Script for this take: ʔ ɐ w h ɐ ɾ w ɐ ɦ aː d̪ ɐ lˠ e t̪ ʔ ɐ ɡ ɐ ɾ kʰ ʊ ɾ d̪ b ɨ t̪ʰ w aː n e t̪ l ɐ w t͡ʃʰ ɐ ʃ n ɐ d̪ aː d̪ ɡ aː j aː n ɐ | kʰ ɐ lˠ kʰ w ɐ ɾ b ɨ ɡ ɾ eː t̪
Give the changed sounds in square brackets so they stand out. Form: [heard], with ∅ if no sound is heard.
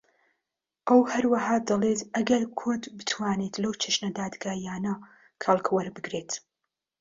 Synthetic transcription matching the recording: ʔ ɐ w h ɐ ɾ w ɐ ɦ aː d̪ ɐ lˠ e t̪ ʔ ɐ ɡ ɐ ɾ kʰ ʊ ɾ d̪ b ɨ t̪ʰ w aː n e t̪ l ɐ w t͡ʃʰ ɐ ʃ n ɐ d̪ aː d̪ ɡ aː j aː n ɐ | kʰ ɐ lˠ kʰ w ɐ ɾ b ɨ ɡ ɾ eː t̪